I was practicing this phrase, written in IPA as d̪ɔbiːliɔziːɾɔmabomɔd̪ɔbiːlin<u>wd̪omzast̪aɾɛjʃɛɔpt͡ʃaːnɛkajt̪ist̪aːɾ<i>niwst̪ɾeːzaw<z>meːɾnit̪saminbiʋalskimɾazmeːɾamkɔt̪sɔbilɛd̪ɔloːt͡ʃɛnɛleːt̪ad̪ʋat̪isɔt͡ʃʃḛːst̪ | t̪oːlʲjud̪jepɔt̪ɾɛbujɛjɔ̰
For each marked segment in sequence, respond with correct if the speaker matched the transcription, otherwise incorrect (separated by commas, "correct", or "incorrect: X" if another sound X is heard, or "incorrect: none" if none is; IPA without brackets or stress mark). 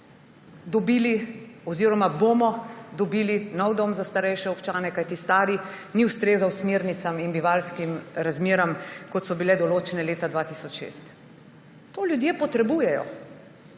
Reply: incorrect: ɔ, correct, incorrect: s